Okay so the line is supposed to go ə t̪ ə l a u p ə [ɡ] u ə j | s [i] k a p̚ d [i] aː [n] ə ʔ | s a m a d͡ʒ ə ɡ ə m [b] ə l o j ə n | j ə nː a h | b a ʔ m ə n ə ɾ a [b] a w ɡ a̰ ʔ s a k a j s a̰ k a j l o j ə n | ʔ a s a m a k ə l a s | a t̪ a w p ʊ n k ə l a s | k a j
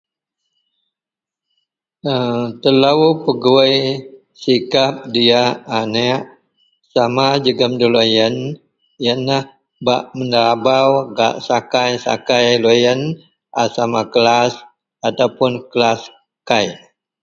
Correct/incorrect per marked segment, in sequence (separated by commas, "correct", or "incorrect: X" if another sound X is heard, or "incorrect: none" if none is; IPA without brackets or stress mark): correct, correct, correct, correct, incorrect: d, correct